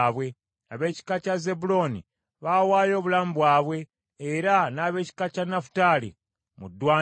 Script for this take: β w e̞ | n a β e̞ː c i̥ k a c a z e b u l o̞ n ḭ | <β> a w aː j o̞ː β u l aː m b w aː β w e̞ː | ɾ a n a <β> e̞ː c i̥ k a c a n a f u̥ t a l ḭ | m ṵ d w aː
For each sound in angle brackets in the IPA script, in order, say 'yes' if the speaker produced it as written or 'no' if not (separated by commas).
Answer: yes, yes